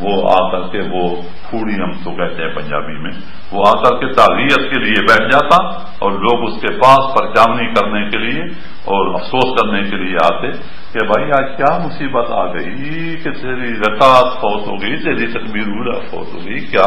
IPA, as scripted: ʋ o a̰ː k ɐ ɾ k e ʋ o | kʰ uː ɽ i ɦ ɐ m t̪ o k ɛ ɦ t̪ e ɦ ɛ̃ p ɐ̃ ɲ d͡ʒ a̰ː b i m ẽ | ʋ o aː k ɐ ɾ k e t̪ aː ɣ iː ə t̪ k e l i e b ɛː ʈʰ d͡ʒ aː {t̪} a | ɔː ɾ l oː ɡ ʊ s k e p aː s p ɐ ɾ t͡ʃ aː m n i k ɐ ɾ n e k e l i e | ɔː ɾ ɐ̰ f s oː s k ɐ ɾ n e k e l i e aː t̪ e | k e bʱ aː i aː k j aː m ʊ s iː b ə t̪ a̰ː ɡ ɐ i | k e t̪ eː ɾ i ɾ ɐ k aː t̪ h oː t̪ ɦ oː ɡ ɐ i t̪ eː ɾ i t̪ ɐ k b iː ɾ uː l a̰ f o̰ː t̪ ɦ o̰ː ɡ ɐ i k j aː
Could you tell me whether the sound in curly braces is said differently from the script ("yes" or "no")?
no